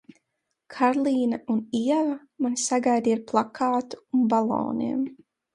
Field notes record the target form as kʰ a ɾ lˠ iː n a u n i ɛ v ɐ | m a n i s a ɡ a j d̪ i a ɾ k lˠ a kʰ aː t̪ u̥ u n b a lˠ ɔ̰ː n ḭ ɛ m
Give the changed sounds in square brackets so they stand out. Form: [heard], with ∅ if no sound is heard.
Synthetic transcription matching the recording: kʰ a ɾ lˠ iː n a u n i ɛ v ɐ | m a n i s a ɡ a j d̪ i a ɾ [p] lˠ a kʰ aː t̪ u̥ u n b a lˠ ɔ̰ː n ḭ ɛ m